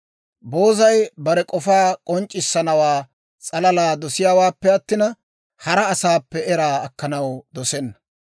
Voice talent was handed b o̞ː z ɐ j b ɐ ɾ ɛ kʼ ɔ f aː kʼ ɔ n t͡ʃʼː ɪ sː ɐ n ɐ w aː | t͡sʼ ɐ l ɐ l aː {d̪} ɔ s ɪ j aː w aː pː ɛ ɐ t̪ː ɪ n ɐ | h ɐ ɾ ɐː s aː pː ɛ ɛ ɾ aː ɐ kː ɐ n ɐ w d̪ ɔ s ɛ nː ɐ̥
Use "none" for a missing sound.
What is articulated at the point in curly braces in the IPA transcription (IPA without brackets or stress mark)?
d̪